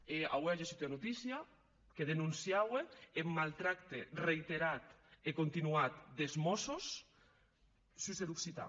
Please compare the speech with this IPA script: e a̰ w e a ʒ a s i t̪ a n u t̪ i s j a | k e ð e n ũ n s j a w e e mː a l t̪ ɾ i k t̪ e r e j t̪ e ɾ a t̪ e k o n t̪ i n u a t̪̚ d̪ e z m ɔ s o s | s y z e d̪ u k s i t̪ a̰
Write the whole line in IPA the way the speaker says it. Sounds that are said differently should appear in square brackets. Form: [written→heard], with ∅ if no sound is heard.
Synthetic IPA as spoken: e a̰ w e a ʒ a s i t̪ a n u t̪ i s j a | k e ð e n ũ n s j a w e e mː a l t̪ ɾ [i→a] k t̪ e r e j t̪ e ɾ a t̪ e k o n t̪ i n u a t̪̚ d̪ e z m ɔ s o s | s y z e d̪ u k s i t̪ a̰